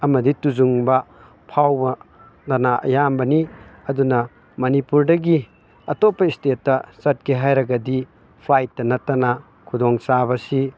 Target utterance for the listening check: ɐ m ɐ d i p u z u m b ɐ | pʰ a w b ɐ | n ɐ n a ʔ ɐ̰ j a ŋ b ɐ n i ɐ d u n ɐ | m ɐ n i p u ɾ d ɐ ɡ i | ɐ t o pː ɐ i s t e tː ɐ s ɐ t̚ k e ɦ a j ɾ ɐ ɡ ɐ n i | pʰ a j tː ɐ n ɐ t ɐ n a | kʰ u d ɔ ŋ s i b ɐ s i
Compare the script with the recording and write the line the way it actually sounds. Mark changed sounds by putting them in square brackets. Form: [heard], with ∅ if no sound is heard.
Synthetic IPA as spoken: ɐ m ɐ d i [t] u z u [ŋ] b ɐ | pʰ a w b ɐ | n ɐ n a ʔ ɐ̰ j a [m] b ɐ n i ɐ d u n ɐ | m ɐ n i p u ɾ d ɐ ɡ i | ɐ t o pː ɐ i s t e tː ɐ s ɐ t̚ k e ɦ a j ɾ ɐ ɡ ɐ [d] i | pʰ a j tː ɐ n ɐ t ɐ n a | kʰ u d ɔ ŋ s [a] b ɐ s i